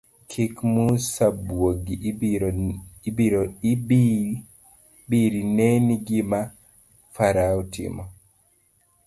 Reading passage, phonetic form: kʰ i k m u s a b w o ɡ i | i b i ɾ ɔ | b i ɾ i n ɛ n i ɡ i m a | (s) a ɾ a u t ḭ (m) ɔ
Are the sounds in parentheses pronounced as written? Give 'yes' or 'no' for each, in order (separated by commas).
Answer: no, yes